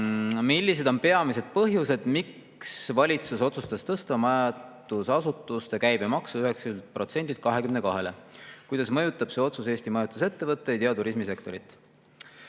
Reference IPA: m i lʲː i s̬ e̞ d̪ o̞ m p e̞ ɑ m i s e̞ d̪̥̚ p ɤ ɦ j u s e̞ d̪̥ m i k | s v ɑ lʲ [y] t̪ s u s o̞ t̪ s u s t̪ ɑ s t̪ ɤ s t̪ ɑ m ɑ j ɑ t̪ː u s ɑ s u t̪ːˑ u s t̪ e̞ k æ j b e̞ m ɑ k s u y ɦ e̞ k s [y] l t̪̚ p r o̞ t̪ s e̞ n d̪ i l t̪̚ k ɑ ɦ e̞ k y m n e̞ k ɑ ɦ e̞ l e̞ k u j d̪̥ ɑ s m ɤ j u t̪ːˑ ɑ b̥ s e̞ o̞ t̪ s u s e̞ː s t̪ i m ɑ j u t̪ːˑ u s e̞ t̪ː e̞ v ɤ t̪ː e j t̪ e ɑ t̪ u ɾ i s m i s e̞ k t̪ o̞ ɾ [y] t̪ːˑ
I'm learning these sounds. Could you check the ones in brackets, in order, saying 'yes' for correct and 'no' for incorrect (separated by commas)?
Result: no, yes, no